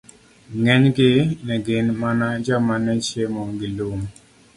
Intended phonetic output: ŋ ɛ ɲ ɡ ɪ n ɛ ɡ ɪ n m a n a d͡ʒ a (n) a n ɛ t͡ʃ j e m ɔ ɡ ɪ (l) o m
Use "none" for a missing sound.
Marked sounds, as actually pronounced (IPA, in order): m, l

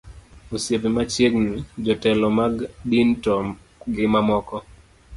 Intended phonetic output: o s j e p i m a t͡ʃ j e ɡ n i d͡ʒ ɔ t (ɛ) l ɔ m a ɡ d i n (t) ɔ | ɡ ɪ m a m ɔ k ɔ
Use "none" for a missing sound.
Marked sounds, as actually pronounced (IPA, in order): ɛ, t

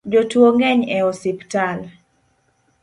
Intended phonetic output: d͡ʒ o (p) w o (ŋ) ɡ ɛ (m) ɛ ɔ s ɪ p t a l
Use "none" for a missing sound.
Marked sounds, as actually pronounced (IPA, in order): t, ŋ, ɲ

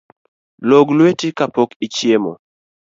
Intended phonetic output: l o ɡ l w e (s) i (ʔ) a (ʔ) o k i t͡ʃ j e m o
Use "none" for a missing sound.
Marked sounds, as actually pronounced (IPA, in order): t, k, p

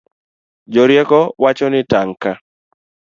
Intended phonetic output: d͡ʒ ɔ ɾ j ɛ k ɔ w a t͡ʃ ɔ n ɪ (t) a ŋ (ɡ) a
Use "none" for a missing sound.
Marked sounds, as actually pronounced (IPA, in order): t, k

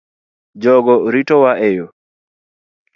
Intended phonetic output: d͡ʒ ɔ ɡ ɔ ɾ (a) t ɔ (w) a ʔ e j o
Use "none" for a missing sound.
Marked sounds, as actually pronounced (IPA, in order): i, w

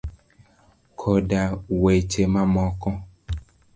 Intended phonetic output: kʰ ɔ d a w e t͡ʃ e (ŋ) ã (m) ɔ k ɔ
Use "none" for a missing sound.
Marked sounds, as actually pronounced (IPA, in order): m, m

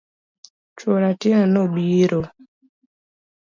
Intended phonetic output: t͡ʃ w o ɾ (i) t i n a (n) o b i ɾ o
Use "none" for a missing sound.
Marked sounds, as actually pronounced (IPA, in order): a, n

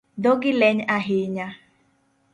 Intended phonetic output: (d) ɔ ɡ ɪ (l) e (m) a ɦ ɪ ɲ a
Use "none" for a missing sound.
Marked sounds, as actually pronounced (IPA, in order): d, l, ɲ

